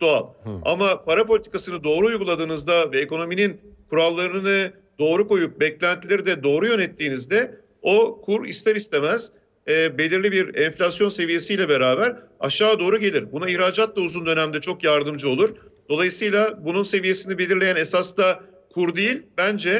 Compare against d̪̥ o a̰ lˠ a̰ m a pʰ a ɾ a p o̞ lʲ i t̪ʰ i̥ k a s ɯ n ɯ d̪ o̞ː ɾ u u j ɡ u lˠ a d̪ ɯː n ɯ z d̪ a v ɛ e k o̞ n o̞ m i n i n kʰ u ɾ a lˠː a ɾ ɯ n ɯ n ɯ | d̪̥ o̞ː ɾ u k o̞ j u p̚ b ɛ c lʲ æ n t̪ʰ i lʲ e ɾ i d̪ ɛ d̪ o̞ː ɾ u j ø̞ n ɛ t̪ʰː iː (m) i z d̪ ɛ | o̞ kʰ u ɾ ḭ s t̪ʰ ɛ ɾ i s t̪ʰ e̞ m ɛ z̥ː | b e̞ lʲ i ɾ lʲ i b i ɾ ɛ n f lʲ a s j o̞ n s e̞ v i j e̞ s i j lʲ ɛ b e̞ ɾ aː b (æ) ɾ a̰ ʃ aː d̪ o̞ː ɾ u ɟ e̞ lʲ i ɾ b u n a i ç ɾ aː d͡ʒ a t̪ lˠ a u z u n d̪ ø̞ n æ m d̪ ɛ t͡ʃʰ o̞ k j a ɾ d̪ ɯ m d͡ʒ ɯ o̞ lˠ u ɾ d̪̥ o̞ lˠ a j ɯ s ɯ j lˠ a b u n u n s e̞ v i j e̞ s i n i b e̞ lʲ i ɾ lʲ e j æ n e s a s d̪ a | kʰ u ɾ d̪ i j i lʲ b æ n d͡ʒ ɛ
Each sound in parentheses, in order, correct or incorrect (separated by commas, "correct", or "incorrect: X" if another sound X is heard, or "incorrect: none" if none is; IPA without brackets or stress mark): incorrect: n, correct